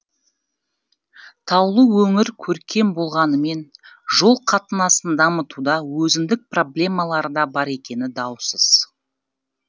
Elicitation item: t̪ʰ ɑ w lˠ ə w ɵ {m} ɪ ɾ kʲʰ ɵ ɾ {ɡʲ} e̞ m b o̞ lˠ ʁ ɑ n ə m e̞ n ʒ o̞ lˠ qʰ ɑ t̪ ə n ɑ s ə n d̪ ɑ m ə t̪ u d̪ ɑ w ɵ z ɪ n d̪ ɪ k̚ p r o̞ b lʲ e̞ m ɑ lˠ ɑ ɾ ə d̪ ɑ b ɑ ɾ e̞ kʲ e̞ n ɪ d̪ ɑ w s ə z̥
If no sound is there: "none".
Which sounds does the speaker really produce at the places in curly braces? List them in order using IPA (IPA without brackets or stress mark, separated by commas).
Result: ŋ, kʲ